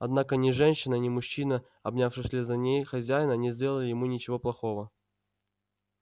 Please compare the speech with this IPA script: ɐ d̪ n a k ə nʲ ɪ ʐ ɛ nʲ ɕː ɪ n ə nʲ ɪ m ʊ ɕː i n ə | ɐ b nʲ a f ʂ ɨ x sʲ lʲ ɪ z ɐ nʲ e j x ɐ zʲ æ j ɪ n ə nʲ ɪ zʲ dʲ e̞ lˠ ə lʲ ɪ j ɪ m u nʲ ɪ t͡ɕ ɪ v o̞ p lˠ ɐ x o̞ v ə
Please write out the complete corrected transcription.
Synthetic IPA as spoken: ɐ d̪ n a k ə nʲ ɪ ʐ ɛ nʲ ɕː ɪ n ə nʲ ɪ m ʊ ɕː i n ə | ɐ b nʲ a f ʂ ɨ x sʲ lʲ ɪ z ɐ nʲ e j x ɐ zʲ æ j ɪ n ə nʲ ɪ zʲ dʲ e̞ lˠ ə lʲ ɪ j ɪ m u nʲ ɪ t͡ɕ ɪ v o̞ p lˠ ɐ x o̞ v ə